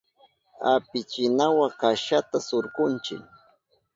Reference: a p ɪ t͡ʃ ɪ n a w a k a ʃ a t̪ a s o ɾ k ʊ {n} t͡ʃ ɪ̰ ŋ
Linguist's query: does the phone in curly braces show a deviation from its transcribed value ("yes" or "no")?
no